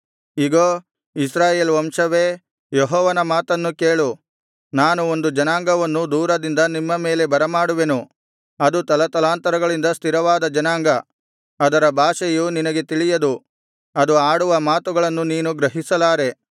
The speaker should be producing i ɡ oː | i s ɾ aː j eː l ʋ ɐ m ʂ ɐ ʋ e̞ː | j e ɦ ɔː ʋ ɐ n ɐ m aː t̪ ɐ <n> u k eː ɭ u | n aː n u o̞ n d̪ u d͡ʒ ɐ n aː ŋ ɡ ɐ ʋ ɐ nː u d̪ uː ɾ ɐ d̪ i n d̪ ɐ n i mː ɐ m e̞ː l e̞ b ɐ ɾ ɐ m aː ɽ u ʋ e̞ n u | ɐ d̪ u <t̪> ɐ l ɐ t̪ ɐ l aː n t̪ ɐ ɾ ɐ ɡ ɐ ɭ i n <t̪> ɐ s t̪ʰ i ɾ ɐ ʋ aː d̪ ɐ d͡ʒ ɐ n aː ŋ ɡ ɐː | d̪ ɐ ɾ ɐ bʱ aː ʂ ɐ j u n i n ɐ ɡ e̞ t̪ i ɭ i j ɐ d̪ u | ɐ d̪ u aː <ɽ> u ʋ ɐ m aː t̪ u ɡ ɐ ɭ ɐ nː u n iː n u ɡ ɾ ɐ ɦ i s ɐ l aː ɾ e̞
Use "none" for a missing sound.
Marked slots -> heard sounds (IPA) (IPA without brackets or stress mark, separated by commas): nː, t̪, d̪, ɽ